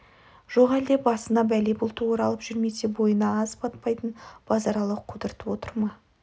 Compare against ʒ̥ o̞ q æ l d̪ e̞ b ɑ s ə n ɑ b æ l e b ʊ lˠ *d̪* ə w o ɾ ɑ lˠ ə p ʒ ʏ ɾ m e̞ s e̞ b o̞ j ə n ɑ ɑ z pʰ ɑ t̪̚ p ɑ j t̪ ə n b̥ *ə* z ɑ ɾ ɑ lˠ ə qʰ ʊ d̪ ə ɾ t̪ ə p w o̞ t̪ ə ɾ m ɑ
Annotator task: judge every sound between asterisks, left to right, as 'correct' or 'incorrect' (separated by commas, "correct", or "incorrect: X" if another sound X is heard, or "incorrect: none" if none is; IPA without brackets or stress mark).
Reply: incorrect: t̪, incorrect: ɑ